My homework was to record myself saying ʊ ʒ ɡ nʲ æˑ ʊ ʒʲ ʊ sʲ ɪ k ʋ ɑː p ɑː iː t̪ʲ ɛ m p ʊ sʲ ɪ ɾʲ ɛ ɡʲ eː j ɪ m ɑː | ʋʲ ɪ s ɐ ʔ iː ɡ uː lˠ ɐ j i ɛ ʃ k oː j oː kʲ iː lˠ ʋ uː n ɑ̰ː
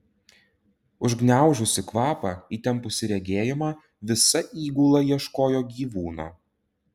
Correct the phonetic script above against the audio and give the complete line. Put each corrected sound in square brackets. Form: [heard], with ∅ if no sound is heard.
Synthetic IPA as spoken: ʊ ʒ ɡ nʲ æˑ ʊ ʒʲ ʊ sʲ ɪ k ʋ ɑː p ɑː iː t̪ʲ ɛ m p ʊ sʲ ɪ ɾʲ ɛ ɡʲ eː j ɪ m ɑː | ʋʲ ɪ s ɐ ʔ iː ɡ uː lˠ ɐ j i ɛ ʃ k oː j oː [ɡʲ] iː [∅] ʋ uː n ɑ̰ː